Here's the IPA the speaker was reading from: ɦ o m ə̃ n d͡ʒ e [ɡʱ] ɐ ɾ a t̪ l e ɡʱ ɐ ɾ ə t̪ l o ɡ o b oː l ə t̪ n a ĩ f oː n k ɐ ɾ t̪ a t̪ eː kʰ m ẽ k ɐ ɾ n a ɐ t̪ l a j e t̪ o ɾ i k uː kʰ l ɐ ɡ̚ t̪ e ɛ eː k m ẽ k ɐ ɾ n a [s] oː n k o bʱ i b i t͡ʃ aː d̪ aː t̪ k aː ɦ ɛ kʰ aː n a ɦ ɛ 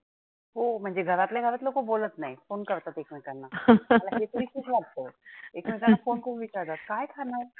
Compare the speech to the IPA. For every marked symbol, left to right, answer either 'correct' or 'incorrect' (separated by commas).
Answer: correct, incorrect